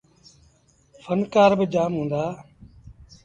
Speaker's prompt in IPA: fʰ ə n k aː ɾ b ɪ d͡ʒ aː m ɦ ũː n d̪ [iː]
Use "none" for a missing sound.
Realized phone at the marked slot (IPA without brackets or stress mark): aː